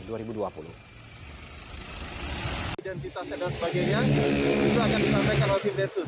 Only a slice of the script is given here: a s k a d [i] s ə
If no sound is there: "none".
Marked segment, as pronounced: a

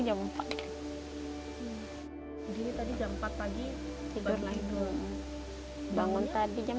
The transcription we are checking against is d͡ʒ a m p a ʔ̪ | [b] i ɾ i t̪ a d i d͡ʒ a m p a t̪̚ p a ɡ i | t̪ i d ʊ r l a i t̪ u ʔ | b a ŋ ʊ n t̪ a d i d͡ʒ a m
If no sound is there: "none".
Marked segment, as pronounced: d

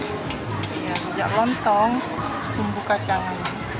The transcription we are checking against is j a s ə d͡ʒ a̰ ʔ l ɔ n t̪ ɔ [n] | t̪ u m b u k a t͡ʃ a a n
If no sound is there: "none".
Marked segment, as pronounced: ŋ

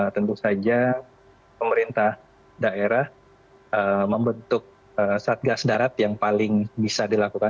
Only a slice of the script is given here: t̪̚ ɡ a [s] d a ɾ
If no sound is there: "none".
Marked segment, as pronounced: s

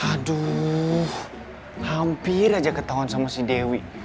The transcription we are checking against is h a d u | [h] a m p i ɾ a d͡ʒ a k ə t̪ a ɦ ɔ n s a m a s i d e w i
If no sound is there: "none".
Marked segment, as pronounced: h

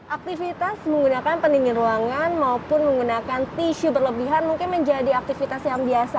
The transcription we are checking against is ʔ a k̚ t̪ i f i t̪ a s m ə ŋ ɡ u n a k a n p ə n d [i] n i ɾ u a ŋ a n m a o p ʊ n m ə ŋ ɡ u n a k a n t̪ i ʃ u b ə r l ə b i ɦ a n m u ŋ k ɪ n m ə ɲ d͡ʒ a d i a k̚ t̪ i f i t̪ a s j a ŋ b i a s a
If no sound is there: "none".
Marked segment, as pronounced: i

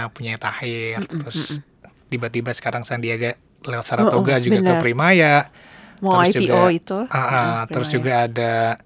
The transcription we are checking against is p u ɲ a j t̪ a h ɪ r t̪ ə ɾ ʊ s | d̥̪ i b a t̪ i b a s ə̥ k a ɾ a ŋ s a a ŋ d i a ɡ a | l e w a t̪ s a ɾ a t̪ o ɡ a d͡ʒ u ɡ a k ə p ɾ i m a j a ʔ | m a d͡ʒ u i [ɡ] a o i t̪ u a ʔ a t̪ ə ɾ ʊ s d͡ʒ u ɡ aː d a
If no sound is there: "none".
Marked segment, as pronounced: ɡ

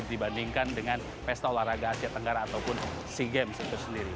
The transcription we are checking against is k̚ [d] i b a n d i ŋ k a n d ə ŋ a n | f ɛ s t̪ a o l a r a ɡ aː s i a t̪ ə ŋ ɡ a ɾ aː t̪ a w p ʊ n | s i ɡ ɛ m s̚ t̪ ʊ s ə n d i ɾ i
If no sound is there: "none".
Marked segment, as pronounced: d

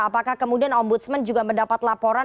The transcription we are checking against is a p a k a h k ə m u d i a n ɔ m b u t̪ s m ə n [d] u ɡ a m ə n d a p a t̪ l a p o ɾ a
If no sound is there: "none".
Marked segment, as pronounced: d͡ʒ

